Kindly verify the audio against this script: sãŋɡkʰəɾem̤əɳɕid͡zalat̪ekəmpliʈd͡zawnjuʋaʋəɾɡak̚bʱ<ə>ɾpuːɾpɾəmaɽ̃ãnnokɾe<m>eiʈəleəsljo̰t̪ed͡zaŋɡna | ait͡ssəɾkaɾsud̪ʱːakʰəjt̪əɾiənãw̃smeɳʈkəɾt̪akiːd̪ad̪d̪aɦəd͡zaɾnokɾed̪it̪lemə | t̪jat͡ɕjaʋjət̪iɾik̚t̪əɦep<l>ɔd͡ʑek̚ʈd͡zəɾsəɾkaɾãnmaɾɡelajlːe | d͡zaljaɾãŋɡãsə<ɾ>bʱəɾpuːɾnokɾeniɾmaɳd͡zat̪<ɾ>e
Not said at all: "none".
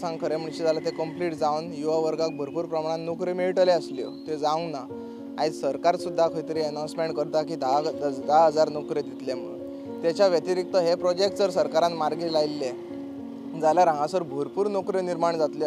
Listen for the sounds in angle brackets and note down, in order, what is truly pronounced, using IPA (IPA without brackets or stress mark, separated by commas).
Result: ə, m, ɾ, ɾ, l